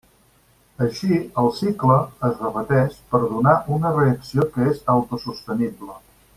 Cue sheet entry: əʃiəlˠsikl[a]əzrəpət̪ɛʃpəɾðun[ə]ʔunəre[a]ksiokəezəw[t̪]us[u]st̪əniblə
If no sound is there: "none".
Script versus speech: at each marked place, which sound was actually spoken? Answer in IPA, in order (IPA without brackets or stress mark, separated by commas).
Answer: ə, a, ə, t̪, u